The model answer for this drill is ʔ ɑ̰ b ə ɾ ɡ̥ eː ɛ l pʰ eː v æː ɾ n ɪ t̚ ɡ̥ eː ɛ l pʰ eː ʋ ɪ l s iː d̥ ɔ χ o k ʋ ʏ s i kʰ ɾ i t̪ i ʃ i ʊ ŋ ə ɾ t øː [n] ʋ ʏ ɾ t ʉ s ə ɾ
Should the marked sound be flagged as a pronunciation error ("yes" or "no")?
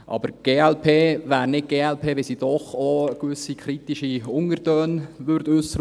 no